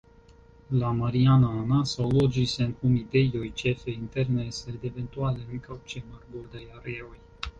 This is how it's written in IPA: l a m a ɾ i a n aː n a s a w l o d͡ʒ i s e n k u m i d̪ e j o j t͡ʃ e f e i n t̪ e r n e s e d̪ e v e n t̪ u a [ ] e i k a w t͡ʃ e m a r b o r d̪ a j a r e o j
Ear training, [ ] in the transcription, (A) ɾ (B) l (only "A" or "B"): B